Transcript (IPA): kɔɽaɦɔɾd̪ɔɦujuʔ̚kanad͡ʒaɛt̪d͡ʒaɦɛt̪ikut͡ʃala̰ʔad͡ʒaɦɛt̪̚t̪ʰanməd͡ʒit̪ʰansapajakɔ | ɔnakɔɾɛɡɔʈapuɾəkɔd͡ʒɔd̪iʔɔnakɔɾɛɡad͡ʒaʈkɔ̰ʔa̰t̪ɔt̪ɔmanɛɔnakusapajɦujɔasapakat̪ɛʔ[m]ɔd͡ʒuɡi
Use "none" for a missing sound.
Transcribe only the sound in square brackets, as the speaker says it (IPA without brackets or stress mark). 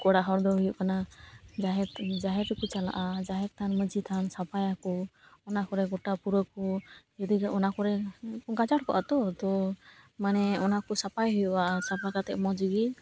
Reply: m